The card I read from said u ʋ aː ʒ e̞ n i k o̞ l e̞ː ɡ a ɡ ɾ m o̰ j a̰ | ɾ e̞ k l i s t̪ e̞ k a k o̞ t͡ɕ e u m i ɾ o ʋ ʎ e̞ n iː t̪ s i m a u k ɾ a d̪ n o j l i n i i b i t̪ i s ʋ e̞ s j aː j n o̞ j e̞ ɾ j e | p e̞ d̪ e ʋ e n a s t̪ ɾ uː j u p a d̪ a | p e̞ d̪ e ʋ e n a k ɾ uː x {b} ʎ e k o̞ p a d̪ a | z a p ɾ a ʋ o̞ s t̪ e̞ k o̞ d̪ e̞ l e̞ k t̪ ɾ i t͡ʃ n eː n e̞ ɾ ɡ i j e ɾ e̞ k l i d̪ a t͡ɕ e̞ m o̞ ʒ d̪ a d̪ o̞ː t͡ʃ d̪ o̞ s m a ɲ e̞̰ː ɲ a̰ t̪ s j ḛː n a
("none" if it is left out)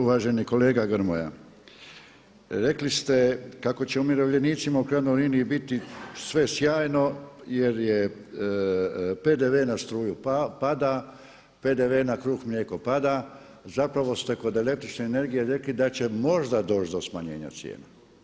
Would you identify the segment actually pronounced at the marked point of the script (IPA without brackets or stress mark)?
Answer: m